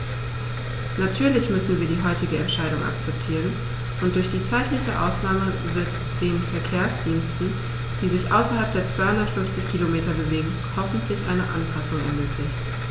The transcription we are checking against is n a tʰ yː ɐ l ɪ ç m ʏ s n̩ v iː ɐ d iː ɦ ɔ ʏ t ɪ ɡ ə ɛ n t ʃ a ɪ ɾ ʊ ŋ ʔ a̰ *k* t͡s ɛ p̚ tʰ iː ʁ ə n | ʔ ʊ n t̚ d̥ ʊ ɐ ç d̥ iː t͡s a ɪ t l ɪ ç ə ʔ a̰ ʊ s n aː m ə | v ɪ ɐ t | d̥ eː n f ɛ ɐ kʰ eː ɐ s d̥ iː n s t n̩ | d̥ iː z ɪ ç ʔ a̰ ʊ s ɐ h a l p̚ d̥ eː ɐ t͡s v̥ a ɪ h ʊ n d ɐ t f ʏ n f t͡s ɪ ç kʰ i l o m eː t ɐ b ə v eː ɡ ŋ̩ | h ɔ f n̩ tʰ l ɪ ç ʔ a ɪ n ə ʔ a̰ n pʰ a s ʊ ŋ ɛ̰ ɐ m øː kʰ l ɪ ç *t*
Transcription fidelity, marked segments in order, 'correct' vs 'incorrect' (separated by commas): correct, correct